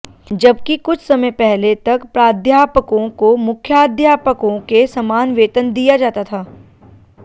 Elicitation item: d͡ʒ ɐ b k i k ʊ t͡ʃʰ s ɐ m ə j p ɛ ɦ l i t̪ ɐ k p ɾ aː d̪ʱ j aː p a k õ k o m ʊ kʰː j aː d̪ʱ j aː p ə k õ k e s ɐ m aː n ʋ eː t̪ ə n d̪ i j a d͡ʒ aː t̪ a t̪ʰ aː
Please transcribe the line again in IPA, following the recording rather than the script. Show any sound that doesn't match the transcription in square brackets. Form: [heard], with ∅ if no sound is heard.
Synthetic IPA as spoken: d͡ʒ ɐ b k i k ʊ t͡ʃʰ s ɐ m ə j p ɛ ɦ l [e] t̪ ɐ k p ɾ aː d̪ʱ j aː p [ə] k õ k o m ʊ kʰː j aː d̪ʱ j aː p ə k õ k e s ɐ m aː n ʋ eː t̪ ə n d̪ i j a d͡ʒ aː t̪ a t̪ʰ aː